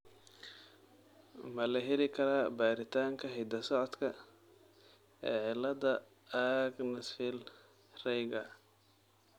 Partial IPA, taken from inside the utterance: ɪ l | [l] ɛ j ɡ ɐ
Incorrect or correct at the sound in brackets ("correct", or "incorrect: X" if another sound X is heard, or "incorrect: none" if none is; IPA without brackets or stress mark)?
incorrect: r